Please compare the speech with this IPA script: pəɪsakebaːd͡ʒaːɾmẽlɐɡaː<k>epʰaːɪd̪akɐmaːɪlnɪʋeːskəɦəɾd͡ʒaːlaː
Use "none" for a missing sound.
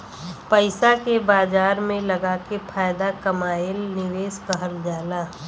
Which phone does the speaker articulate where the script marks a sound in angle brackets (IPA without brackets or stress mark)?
k